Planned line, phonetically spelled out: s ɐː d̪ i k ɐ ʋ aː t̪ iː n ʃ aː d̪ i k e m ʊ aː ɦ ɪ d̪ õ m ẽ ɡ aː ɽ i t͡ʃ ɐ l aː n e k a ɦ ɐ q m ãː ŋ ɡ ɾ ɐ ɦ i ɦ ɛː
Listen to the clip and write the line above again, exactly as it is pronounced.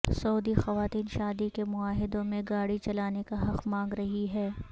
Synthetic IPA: s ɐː d̪ i x ɐ ʋ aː t̪ iː n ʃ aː d̪ i k e m ʊ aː ɦ ɪ d̪ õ m ẽ ɡ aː ɽ i t͡ʃ ɐ l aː n e k a ɦ ɐ q m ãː ŋ ɡ ɾ ɐ ɦ i ɦ ɛː

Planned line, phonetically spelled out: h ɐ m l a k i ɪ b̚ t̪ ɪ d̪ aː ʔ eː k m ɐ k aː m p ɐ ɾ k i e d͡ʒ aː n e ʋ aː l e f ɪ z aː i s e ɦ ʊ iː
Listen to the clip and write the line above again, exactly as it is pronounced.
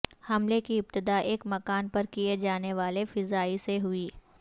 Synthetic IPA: h ɐ m l e k i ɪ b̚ t̪ ɪ d̪ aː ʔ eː k m ɐ k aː n p ɐ ɾ k i e d͡ʒ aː n e ʋ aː l e f ɪ z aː i s e ɦ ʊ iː

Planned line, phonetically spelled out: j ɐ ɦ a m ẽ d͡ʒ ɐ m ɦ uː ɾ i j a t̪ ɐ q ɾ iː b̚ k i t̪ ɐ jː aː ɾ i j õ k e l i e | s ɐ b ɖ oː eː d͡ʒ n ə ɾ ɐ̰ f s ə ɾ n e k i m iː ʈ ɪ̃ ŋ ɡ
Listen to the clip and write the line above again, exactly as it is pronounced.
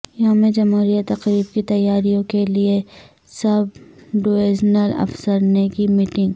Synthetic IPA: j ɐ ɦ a m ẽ d͡ʒ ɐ m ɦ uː ɾ i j a t̪ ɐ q ɾ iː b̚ k i t̪ ɐ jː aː ɾ i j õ k e l i e | s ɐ b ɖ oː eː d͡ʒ n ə l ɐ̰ f s ə ɾ n e k i m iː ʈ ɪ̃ ŋ ɡ

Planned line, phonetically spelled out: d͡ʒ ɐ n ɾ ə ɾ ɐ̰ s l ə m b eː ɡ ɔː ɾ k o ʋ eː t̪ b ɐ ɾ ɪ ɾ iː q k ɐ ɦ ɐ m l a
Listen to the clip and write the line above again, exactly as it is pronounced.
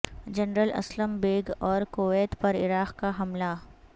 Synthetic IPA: d͡ʒ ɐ n ɾ ə l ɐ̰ s l ə m b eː ɡ ɔː ɾ k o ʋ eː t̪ p ɐ ɾ ɪ ɾ aː q k a ɦ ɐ m l a

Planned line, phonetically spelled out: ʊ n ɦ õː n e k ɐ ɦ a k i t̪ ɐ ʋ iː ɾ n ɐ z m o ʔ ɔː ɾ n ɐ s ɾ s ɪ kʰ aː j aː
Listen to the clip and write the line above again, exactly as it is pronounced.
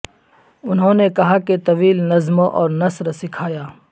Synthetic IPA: ʊ n ɦ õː n e k ɐ ɦ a k e t̪ ɐ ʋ iː l n ɐ z m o ʔ ɔː ɾ n ɐ s ɾ s ɪ kʰ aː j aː

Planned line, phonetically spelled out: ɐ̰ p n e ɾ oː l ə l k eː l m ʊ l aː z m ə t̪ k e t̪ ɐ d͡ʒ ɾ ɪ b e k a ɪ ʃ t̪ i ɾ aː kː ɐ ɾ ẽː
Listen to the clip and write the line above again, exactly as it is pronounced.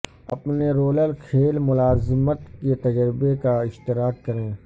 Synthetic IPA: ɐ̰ p n e ɾ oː l ə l kʰ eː l m ʊ l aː z m ə t̪ k e t̪ ɐ d͡ʒ ɾ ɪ b e k a ɪ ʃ t̪ ɪ ɾ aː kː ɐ ɾ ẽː

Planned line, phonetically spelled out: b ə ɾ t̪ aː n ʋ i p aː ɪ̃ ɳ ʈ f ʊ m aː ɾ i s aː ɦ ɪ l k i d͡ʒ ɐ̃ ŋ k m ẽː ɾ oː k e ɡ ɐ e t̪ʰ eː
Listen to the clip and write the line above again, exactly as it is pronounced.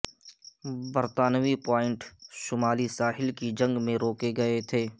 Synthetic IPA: b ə ɾ t̪ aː n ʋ i p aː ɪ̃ ɳ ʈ ʃ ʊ m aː l i s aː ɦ ɪ l k i d͡ʒ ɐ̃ ŋ ɡ m ẽ ɾ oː k e ɡ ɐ e t̪ʰ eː

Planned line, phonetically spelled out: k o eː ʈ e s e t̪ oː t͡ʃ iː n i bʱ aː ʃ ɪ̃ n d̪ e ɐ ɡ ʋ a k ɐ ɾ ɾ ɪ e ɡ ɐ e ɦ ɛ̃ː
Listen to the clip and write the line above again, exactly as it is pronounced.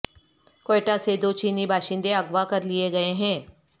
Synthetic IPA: k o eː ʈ a s e d̪ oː t͡ʃ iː n i bʱ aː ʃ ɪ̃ n d̪ e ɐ ɡ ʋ a k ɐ ɾ l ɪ e ɡ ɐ e ɦ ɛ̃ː

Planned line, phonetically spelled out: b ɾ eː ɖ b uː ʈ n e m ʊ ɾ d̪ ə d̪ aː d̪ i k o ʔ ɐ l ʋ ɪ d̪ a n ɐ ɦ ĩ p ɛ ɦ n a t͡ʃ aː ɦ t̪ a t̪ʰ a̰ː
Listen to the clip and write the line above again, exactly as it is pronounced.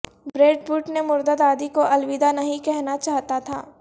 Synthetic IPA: b ɾ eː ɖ b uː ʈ n e m ʊ ɾ d̪ ə d̪ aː d̪ i k o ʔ ɐ l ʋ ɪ d̪ a n ɐ ɦ ĩ k ɛ ɦ n a t͡ʃ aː ɦ t̪ a t̪ʰ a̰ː

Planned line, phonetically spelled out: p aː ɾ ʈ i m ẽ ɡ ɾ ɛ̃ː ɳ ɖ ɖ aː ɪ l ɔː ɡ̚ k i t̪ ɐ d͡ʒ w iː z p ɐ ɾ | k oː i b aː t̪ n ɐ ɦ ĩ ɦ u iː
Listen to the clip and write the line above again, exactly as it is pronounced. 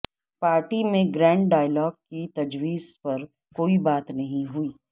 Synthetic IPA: p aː ɾ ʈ i m ẽ ɡ ɾ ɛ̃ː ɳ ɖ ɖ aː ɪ l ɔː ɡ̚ k i t̪ ɐ d͡ʒ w iː z p ɐ ɾ | k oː i b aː t̪ n ɐ ɦ ĩ ɦ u iː

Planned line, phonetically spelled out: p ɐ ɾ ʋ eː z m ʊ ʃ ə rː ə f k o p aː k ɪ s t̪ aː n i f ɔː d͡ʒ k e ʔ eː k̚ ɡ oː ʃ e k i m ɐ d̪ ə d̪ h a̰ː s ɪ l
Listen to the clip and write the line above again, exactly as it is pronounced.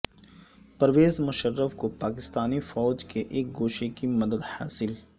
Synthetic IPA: p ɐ ɾ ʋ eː z m ʊ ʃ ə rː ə f k o p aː k ɪ s t̪ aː n i f ɔː d͡ʒ k e ʔ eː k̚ ɡ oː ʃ e k i m ɐ d̪ ə d̪ h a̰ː s ɪ l

